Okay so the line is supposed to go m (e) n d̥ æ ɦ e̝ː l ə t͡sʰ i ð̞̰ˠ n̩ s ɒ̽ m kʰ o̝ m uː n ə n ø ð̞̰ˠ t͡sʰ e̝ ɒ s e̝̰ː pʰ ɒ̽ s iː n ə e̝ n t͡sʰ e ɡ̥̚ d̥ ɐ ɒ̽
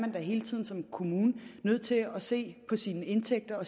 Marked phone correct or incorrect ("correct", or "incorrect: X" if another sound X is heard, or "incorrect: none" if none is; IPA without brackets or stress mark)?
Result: incorrect: æ